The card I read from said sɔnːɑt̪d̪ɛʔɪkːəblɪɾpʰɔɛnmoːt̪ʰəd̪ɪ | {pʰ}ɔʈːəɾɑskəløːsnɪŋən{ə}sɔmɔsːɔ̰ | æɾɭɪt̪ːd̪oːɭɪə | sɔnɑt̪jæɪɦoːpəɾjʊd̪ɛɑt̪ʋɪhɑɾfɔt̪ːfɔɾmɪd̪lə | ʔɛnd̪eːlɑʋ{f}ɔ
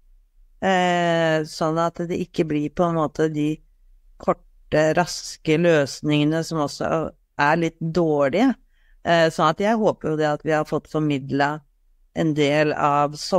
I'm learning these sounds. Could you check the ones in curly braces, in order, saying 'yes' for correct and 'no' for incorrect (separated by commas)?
no, yes, no